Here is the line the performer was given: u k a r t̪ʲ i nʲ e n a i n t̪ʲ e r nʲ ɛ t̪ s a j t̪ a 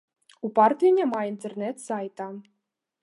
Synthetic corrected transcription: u p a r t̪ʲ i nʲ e m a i n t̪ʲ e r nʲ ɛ t̪ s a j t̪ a